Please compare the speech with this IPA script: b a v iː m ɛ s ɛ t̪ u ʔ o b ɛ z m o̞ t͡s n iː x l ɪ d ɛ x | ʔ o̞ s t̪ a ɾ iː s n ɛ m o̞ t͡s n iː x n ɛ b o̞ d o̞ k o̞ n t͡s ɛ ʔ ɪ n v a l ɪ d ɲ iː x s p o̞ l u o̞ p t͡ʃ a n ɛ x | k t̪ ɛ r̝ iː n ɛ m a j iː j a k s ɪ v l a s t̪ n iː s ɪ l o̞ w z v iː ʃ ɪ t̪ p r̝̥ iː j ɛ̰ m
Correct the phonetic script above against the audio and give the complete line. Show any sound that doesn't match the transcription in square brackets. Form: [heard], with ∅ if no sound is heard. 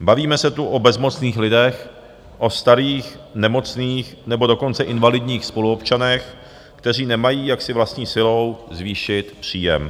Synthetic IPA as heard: b a v iː m ɛ s ɛ t̪ u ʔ o b ɛ z m o̞ t͡s n iː x l ɪ d ɛ x | ʔ o̞ s t̪ a ɾ iː [x] n ɛ m o̞ t͡s n iː x n ɛ b o̞ d o̞ k o̞ n t͡s ɛ ʔ ɪ n v a l ɪ d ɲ iː x s p o̞ l u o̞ p t͡ʃ a n ɛ x | k t̪ ɛ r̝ iː n ɛ m a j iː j a k s ɪ v l a s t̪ [ɲ] iː s ɪ l o̞ w z v iː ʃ ɪ t̪ p r̝̥ iː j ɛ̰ m